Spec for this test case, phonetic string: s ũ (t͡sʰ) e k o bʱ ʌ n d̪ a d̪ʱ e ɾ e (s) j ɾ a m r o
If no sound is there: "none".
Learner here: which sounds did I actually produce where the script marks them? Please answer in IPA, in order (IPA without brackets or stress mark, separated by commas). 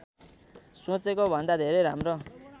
t͡s, none